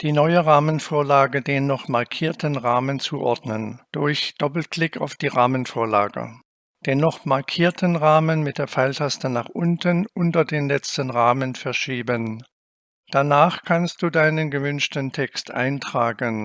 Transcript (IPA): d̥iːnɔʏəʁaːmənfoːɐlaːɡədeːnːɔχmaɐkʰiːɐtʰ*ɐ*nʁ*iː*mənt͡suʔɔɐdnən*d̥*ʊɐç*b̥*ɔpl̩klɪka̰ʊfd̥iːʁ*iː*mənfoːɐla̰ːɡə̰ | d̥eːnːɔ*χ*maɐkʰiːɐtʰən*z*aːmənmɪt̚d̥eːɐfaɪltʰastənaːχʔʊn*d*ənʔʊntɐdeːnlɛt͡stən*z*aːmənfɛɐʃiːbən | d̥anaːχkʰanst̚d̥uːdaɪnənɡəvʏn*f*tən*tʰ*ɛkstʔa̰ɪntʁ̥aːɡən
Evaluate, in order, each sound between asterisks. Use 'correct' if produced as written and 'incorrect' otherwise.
incorrect: ə, incorrect: aː, correct, incorrect: d̥, incorrect: aː, correct, incorrect: ʁ, incorrect: t, incorrect: ʁ, incorrect: ʃ, correct

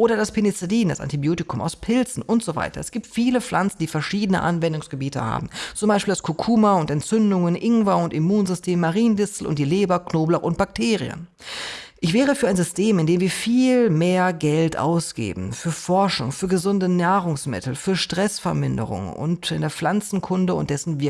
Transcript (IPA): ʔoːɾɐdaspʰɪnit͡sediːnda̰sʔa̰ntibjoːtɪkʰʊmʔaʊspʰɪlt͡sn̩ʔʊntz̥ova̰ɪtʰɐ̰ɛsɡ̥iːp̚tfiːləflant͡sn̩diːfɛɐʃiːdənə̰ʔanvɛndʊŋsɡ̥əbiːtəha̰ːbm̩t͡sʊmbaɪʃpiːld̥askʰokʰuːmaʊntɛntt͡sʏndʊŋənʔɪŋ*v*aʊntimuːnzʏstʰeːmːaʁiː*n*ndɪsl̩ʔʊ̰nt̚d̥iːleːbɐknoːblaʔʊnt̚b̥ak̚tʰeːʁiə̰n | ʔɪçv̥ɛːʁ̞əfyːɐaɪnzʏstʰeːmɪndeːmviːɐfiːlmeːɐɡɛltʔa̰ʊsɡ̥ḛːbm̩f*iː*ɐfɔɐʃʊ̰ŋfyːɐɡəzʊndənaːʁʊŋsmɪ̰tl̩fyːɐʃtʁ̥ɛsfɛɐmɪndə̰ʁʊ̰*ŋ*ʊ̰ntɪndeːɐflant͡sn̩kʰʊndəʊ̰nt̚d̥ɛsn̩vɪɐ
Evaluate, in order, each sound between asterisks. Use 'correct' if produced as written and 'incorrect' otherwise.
correct, correct, incorrect: yː, correct

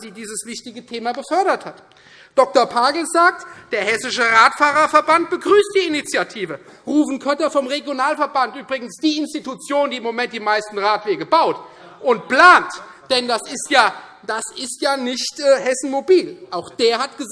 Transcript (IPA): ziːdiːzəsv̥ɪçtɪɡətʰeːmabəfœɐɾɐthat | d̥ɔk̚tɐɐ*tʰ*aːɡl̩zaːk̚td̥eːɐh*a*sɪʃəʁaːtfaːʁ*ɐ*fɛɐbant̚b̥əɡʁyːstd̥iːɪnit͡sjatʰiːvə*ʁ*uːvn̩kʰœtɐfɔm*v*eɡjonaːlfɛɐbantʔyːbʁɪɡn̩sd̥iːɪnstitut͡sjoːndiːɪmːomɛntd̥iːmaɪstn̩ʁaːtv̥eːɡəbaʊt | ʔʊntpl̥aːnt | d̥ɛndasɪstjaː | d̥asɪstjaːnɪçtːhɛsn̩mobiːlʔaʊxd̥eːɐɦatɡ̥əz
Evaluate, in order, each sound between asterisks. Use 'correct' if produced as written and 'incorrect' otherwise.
incorrect: pʰ, incorrect: ɛ, correct, correct, incorrect: ʁ

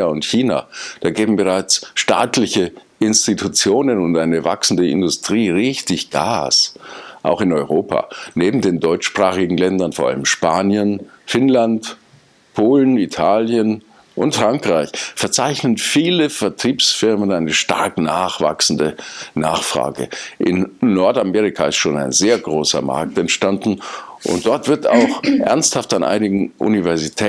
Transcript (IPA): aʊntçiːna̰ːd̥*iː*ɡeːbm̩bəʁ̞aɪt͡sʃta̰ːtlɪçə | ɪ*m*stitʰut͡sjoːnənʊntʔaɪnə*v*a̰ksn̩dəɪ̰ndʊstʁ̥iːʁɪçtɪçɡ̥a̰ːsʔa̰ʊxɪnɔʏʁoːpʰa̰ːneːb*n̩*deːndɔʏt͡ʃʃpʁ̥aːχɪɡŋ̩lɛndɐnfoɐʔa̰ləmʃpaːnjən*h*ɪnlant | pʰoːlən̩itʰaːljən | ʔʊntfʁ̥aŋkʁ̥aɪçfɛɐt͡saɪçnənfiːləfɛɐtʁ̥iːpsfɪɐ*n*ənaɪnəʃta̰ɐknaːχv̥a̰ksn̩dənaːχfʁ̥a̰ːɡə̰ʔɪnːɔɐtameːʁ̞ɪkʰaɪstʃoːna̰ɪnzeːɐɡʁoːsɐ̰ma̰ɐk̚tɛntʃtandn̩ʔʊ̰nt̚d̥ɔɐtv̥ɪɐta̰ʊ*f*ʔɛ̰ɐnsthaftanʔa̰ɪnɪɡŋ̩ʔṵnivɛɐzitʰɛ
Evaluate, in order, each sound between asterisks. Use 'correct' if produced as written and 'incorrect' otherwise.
incorrect: aː, incorrect: n, correct, incorrect: m̩, incorrect: f, incorrect: m, incorrect: x

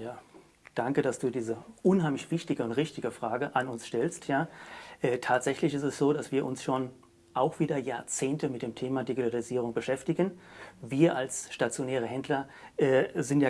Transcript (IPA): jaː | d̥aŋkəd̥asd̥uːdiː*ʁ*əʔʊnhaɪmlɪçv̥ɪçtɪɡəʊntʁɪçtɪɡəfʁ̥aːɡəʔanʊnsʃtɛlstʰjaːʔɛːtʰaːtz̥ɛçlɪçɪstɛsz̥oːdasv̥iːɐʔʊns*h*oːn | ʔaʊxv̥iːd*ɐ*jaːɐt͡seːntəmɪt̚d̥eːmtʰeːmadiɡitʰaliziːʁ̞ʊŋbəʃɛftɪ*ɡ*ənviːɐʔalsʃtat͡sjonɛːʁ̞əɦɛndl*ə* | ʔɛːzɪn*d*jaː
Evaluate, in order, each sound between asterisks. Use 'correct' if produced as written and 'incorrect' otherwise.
incorrect: z, incorrect: ʃ, correct, correct, incorrect: ɐ, incorrect: t

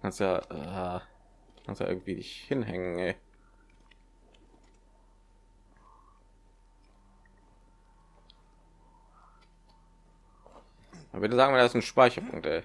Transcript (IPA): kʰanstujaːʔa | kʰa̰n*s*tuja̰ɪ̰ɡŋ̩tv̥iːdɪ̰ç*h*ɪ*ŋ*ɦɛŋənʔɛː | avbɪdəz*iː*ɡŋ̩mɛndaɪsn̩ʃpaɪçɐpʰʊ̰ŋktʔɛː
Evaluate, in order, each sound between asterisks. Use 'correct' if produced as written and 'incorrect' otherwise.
correct, correct, incorrect: n, incorrect: aː

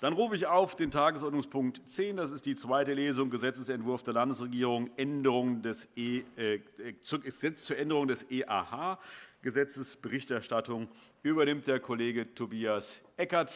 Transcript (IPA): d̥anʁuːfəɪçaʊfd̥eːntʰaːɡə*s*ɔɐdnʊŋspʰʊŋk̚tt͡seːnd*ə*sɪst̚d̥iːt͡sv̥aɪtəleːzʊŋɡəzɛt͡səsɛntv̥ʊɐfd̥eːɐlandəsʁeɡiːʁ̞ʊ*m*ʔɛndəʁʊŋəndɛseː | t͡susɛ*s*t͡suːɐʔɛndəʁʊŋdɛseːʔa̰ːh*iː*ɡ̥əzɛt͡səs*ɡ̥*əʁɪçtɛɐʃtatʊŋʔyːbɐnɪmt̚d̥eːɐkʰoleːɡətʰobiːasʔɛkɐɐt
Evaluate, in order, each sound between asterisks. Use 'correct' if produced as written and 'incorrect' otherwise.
correct, incorrect: a, incorrect: ŋ, incorrect: t͡s, incorrect: aː, incorrect: b̥

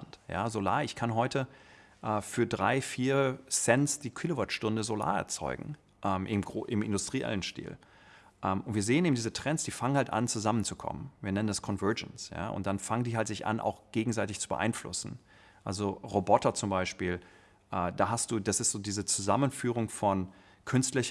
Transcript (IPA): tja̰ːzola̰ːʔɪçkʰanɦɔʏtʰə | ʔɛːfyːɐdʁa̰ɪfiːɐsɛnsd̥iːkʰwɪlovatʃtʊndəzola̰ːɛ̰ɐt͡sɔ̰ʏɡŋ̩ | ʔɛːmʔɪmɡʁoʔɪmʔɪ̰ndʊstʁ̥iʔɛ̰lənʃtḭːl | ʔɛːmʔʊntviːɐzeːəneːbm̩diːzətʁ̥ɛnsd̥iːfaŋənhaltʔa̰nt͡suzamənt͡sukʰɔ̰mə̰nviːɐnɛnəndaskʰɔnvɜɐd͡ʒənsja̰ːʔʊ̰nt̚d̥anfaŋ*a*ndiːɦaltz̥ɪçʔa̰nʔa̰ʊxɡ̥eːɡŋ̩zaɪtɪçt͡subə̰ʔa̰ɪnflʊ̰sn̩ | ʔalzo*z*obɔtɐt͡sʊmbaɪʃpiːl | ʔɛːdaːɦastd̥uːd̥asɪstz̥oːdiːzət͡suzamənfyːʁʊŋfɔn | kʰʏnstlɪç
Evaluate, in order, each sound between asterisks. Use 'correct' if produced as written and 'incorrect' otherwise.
incorrect: ə, incorrect: ʁ

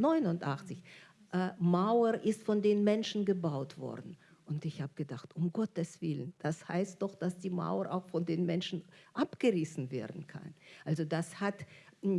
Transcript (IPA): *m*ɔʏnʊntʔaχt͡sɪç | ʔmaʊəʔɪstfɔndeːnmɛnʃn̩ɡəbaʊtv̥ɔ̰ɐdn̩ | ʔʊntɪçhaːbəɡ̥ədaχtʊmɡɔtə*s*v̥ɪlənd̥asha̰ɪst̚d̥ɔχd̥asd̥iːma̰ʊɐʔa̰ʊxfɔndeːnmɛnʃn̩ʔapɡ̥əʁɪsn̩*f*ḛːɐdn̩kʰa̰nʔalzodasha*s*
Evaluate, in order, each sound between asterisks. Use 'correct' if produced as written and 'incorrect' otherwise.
incorrect: n, correct, incorrect: v, incorrect: t

